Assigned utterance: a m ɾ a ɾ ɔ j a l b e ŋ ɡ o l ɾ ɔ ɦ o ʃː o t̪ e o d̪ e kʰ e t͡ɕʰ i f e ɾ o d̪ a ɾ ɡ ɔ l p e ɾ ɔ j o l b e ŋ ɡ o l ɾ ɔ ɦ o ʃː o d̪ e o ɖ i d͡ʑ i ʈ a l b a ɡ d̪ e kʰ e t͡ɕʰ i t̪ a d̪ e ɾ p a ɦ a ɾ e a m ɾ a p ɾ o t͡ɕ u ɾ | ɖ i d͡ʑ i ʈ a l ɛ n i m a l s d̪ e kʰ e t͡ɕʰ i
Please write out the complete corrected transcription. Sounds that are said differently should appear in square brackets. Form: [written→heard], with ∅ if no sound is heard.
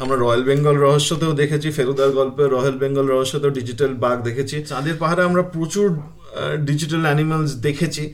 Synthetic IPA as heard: a m ɾ a ɾ ɔ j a l b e ŋ ɡ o l ɾ ɔ ɦ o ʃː o t̪ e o d̪ e kʰ e t͡ɕʰ i f e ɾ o d̪ a ɾ ɡ ɔ l p e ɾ ɔ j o l b e ŋ ɡ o l ɾ ɔ ɦ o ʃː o [d̪→t̪] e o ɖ i d͡ʑ i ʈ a l b a ɡ d̪ e kʰ e t͡ɕʰ i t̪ a d̪ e ɾ p a ɦ a ɾ e a m ɾ a p ɾ o t͡ɕ u ɾ | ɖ i d͡ʑ i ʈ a l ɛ n i m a l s d̪ e kʰ e t͡ɕʰ i